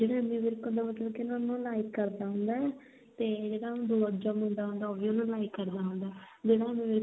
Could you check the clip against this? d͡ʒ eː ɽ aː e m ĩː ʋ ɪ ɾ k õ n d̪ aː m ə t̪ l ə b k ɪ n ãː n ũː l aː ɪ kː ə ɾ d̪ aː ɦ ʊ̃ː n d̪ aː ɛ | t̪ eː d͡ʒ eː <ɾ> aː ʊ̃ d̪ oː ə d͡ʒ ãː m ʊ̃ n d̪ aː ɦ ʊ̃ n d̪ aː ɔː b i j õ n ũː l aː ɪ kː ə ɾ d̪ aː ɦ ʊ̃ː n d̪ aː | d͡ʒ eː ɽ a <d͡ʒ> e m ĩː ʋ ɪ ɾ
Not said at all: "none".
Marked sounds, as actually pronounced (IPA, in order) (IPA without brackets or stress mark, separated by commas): ɽ, none